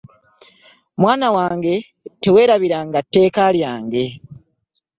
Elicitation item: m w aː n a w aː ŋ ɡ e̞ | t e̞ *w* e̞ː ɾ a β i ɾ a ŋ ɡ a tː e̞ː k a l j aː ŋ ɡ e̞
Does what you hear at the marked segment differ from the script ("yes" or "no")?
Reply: no